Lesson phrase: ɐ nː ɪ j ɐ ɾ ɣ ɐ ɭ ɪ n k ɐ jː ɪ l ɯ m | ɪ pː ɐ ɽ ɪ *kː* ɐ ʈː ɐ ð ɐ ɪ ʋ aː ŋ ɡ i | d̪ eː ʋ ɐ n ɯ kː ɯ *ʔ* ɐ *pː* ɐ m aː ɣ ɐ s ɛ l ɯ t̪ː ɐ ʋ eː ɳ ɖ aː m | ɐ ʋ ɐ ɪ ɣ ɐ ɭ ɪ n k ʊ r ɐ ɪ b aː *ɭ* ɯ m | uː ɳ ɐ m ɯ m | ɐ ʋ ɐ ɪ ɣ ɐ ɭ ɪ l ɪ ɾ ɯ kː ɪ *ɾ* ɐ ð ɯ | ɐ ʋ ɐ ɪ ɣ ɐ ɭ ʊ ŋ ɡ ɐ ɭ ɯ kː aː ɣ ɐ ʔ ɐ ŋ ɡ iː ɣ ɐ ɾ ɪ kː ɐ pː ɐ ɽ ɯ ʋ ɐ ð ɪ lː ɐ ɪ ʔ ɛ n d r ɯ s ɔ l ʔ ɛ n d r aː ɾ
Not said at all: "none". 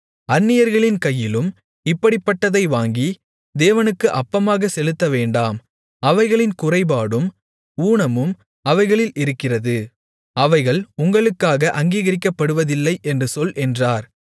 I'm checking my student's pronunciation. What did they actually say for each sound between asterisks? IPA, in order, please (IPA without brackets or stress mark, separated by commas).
pː, ʔ, pː, ɽ, r